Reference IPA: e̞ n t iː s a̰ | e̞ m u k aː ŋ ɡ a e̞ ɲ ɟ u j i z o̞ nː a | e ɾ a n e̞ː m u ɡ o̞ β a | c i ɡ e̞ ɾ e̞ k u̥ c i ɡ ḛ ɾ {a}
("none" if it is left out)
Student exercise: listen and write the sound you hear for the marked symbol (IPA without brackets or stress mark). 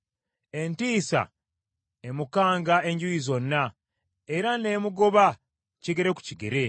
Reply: e